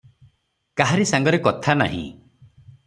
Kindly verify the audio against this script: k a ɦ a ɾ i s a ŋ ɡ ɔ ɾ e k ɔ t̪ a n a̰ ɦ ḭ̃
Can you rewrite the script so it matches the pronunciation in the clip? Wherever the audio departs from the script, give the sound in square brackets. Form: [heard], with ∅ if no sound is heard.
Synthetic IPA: k a ɦ a ɾ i s a ŋ ɡ ɔ ɾ e k ɔ [t̪ʰ] a n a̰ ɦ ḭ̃

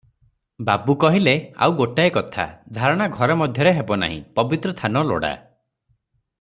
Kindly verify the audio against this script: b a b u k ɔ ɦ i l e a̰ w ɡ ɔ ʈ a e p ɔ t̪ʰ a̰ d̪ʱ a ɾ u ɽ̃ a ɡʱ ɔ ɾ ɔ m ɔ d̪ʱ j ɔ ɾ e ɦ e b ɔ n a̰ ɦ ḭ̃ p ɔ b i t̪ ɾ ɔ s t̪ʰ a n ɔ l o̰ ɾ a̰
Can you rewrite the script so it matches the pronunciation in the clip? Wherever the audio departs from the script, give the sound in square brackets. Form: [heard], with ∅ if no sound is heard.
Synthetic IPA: b a b u k ɔ ɦ i l e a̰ w ɡ [o] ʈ a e [k] ɔ t̪ʰ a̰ d̪ʱ a ɾ [ɔ] ɽ̃ a ɡʱ ɔ ɾ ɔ m ɔ d̪ʱ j ɔ ɾ e ɦ e b ɔ n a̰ ɦ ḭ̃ p ɔ b i t̪ ɾ ɔ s t̪ʰ a n ɔ l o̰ [ɽ] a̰

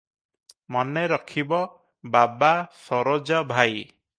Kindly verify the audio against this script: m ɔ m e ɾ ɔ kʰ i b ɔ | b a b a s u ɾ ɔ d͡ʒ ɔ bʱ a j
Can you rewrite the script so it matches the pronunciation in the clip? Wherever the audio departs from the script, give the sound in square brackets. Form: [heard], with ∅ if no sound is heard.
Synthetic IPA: m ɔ [n] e ɾ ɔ kʰ i b ɔ | b a b a s [ɔ] ɾ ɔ d͡ʒ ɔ bʱ a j

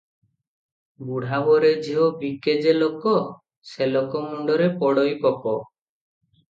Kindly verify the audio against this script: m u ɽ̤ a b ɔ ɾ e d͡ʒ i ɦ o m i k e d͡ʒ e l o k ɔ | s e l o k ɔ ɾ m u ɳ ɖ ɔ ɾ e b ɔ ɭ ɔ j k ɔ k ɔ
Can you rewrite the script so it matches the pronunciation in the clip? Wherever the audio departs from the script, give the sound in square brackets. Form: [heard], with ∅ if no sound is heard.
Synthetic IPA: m u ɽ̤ a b ɔ ɾ e d͡ʒ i ɦ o [b] i k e d͡ʒ e l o k ɔ | s e l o k ɔ [∅] m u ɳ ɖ ɔ ɾ e [p] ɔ [ɽ] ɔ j [p] ɔ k ɔ

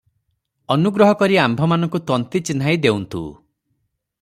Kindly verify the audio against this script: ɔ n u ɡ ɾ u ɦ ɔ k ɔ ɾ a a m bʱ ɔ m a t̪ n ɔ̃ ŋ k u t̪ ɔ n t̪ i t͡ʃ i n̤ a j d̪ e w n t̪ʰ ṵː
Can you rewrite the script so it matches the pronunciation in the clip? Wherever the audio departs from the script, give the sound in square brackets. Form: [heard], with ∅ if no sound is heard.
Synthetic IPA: ɔ n u ɡ ɾ [ɔ] ɦ ɔ k ɔ ɾ [i] a m bʱ ɔ m a [∅] n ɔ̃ ŋ k u t̪ ɔ n t̪ i t͡ʃ i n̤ a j d̪ e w n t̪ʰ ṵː

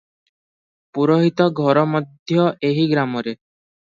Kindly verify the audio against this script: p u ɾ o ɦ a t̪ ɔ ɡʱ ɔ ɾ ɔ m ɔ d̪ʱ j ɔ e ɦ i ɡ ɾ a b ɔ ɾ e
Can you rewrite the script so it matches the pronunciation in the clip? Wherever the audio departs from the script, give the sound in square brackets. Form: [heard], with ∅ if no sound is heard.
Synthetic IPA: p u ɾ o ɦ [i] t̪ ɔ ɡʱ ɔ ɾ ɔ m ɔ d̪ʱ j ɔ e ɦ i ɡ ɾ a [m] ɔ ɾ e

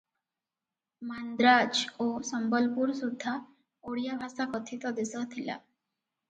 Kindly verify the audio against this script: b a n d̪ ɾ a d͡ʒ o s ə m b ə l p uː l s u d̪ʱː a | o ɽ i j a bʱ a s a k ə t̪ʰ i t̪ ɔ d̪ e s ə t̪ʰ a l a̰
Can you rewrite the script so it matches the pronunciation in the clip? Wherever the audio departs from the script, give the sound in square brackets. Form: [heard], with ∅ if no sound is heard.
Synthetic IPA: [m] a n d̪ ɾ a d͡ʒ o s ə m b ə l p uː [ɾ] s u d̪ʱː a | o ɽ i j a bʱ a s a k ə t̪ʰ i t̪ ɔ d̪ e s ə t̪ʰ [i] l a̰

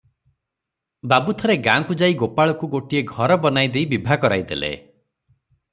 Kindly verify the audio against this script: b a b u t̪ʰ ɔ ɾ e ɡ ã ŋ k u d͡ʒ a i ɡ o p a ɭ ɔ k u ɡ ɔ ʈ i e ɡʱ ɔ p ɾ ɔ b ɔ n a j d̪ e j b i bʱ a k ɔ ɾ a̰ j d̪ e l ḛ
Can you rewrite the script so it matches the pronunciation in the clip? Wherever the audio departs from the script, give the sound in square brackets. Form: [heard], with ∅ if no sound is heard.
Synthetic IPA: b a b u t̪ʰ ɔ ɾ e ɡ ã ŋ k u d͡ʒ a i ɡ o p a ɭ ɔ k u ɡ [o] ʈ i e ɡʱ ɔ [∅] ɾ ɔ b ɔ n a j d̪ e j b i bʱ a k ɔ ɾ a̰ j d̪ e l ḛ

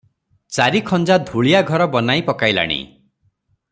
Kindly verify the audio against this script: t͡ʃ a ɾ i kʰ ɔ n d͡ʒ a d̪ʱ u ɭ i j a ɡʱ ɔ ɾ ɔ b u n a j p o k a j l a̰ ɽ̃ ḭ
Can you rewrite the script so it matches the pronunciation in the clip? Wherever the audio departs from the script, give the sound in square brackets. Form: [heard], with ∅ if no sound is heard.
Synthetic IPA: t͡ʃ a ɾ i kʰ ɔ n d͡ʒ a d̪ʱ u ɭ i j a ɡʱ ɔ ɾ ɔ b [ɔ] n a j p [ɔ] k a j l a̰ ɽ̃ ḭ

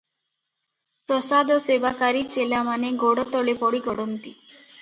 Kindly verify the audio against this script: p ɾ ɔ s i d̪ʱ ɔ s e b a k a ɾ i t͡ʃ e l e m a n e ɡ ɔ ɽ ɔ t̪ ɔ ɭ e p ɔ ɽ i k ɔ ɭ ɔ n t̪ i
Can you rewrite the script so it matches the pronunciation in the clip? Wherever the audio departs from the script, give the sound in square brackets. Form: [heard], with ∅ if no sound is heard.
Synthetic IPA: p ɾ ɔ s [a] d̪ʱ ɔ s e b a k a ɾ i t͡ʃ e l [a] m a n e ɡ ɔ ɽ ɔ t̪ ɔ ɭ e p ɔ ɽ i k ɔ [ɽ] ɔ n t̪ i

